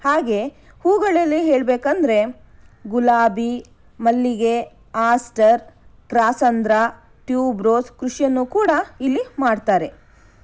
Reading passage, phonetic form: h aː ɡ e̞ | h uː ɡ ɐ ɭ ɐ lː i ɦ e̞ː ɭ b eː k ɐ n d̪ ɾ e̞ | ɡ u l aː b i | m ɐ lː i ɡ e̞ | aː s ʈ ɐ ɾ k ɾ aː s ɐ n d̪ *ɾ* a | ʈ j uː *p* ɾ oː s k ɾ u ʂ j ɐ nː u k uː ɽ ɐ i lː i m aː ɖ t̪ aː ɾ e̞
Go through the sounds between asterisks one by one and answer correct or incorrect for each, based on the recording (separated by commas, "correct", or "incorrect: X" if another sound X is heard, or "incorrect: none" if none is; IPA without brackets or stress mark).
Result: correct, incorrect: b